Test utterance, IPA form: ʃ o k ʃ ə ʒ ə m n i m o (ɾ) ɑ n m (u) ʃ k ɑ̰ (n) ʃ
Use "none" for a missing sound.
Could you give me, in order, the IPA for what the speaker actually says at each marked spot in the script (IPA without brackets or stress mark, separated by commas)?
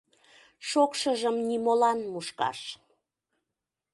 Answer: l, u, none